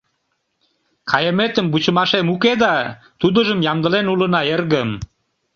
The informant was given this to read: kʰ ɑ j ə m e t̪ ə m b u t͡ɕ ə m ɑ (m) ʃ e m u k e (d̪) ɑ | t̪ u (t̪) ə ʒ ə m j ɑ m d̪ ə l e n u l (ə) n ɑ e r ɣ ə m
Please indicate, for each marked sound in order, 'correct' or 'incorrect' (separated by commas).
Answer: incorrect, correct, incorrect, correct